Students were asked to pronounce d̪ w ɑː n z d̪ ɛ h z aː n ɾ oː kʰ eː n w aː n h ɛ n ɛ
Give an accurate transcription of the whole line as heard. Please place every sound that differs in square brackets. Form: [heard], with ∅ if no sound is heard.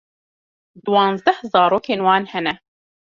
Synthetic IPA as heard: d̪ w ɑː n z d̪ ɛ h z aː [∅] ɾ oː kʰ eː n w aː n h ɛ n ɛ

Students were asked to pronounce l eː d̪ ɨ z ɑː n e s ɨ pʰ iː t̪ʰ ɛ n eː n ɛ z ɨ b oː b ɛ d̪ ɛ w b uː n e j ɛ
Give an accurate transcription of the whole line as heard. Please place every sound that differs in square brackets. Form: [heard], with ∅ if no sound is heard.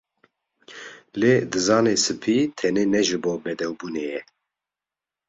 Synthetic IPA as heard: l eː d̪ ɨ z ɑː n e s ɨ pʰ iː t̪ʰ ɛ n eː n ɛ [ʒ] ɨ b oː b ɛ d̪ ɛ w b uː n e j ɛ

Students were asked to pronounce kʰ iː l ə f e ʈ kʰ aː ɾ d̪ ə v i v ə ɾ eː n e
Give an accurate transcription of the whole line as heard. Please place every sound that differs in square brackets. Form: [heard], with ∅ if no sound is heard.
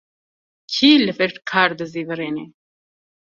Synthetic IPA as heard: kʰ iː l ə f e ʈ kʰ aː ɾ d̪ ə [z] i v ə ɾ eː n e

